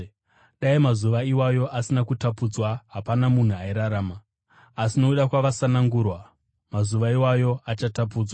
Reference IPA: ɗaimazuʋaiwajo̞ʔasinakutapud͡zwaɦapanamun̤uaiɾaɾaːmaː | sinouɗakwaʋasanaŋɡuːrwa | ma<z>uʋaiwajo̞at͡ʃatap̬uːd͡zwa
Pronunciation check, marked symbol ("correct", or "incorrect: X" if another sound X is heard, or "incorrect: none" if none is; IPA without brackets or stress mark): correct